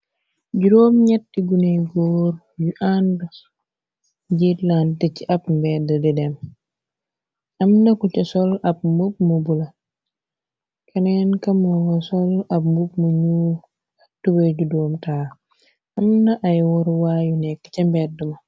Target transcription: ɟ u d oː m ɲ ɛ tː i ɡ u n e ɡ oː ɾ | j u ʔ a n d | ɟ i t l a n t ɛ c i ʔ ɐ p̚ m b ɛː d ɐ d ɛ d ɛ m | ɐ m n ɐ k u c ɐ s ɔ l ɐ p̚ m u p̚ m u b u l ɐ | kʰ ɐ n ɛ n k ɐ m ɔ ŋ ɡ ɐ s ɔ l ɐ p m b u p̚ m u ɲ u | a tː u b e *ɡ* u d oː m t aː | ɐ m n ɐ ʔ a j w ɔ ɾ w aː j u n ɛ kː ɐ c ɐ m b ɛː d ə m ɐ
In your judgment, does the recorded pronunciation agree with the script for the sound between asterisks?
no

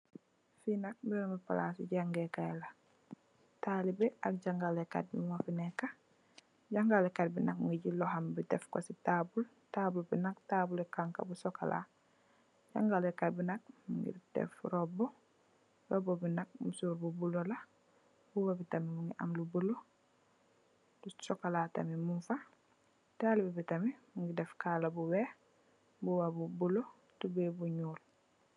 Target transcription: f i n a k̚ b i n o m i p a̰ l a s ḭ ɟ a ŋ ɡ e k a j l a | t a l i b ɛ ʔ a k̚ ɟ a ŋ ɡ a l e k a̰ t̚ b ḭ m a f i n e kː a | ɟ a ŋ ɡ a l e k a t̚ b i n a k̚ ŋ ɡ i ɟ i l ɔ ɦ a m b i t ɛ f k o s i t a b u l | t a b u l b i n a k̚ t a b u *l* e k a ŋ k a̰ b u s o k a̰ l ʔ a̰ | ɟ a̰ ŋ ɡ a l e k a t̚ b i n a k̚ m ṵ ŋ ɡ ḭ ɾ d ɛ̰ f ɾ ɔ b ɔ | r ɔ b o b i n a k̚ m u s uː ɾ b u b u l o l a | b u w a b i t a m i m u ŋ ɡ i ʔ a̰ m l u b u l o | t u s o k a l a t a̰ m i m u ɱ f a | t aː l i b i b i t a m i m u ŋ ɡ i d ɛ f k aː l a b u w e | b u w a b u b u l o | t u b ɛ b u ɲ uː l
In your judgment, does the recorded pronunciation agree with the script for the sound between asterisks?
yes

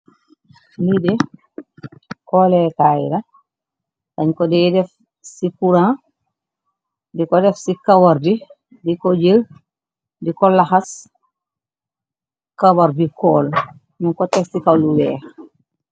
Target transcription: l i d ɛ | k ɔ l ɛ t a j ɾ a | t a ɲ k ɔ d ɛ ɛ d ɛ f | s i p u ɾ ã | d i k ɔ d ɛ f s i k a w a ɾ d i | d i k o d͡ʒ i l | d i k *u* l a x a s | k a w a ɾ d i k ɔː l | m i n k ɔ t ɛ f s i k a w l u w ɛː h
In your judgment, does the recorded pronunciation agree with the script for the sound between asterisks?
no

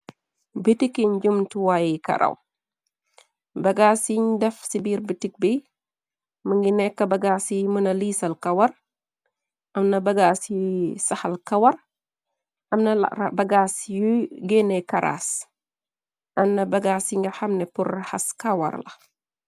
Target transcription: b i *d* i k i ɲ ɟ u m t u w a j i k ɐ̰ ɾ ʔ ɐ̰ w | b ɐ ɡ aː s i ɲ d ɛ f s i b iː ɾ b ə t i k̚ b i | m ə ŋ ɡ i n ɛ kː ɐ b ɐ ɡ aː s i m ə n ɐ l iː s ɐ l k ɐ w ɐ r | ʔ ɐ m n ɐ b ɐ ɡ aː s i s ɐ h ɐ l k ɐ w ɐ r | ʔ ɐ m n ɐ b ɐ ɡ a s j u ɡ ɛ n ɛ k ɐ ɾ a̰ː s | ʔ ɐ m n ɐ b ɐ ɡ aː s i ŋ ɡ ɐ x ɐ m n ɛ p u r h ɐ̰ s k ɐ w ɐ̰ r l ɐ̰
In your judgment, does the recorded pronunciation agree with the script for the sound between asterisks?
no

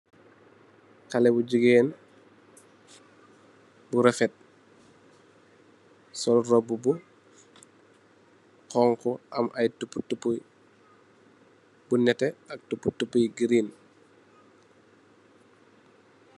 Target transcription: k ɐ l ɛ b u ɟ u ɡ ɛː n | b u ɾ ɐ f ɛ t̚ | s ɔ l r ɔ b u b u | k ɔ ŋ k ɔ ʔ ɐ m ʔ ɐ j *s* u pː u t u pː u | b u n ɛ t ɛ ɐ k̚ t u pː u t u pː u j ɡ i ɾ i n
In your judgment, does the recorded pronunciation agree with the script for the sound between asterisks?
no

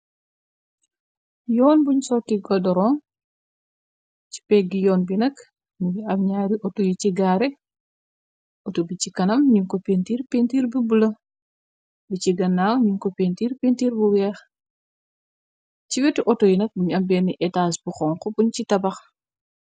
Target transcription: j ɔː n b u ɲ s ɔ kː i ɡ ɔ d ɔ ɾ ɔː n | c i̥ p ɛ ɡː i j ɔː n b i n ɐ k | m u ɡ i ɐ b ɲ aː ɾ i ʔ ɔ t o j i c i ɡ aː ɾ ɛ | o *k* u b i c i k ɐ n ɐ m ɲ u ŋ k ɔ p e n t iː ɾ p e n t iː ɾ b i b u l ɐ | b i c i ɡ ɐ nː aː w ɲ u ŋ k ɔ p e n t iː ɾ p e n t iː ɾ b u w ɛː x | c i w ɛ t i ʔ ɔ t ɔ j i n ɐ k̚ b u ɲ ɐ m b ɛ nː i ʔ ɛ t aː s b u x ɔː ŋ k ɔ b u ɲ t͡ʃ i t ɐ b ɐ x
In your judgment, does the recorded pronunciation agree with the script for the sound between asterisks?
no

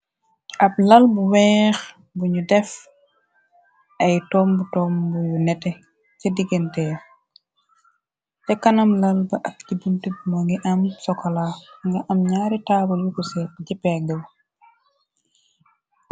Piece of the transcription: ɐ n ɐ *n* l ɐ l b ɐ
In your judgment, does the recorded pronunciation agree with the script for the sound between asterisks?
no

